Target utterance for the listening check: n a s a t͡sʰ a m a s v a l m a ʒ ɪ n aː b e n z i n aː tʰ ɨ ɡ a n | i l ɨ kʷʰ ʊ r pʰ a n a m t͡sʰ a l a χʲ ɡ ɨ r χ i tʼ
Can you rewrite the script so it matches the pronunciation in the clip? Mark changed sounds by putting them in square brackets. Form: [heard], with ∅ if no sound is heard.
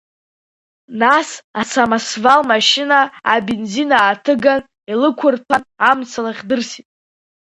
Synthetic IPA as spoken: n a s a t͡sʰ a m a s v a l m a [ʃ] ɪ n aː b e n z i n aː tʰ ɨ ɡ a n | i l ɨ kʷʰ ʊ r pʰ a n a m t͡sʰ a l a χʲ [d] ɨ r [s] i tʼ